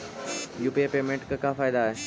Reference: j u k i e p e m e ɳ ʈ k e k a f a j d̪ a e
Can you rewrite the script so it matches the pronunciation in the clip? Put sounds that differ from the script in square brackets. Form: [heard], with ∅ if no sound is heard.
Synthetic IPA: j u [p] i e p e m e ɳ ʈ k [a] k a f a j d̪ a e